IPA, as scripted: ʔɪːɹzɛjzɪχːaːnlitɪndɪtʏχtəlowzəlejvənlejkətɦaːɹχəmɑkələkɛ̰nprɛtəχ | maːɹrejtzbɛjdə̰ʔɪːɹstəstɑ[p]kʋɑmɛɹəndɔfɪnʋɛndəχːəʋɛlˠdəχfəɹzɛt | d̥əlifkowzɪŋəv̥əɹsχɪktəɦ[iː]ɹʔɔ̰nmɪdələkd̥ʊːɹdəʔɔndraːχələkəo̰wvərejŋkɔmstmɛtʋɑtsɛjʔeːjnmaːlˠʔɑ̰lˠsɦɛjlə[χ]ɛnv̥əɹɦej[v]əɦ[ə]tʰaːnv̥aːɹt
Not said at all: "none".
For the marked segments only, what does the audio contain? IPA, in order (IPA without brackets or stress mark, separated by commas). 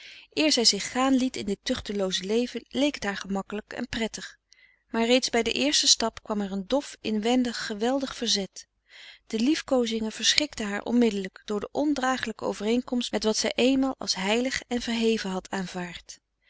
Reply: p, aː, χ, v, ɑ